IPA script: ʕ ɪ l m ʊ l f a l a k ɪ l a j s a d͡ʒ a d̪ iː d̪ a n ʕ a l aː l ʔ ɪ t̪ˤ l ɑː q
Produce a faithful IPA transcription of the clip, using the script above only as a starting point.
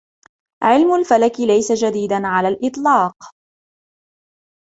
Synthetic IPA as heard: ʕ ɪ l m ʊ l f a l a k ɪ l a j s a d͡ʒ a d̪ iː d̪ a n ʕ a l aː l ʔ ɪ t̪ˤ l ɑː q